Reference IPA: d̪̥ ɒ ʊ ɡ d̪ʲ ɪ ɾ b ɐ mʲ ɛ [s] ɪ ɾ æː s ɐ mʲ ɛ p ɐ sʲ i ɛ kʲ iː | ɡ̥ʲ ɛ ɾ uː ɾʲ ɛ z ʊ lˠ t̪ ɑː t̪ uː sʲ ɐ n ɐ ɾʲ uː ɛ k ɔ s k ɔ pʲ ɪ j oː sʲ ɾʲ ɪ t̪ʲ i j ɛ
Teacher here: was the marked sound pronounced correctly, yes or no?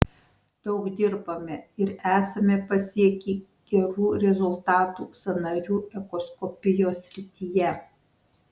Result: no